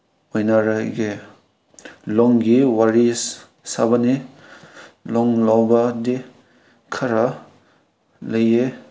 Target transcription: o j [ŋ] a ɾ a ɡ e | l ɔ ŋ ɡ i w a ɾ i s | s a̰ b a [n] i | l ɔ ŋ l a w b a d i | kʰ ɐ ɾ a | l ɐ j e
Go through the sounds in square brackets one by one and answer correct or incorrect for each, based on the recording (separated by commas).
incorrect, correct